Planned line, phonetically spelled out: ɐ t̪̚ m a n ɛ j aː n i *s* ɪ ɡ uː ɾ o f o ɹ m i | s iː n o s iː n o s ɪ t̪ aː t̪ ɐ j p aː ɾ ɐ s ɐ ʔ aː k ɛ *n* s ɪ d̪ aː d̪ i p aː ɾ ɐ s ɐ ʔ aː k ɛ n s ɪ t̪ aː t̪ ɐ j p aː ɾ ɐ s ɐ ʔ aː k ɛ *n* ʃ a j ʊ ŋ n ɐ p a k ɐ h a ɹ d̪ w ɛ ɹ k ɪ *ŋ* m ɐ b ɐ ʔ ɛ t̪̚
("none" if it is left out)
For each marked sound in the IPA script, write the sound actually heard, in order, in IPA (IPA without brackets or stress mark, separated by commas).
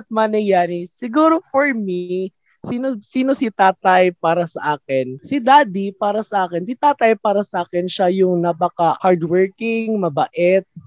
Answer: s, n, n, ŋ